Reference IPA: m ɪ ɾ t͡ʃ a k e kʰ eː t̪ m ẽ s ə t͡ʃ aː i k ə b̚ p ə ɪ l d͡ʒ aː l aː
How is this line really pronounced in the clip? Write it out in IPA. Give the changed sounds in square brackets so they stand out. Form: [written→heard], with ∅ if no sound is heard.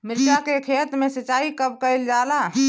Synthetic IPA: m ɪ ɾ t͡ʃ a k e kʰ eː t̪ m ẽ s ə t͡ʃ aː i k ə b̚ [p→k] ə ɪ l d͡ʒ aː l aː